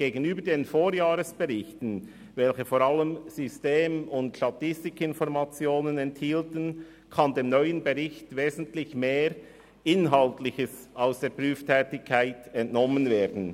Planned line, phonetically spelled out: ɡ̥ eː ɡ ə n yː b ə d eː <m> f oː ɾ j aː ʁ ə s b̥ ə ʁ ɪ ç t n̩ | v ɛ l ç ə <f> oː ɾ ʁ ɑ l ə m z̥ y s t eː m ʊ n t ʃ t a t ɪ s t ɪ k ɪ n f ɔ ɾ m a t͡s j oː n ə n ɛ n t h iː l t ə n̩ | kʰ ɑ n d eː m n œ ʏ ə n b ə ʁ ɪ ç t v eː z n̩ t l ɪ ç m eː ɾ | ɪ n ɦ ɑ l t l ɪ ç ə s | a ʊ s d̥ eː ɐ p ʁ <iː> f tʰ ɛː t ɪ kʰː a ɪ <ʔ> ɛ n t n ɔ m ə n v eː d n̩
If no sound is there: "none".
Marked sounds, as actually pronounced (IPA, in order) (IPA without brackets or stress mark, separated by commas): n, f, yː, t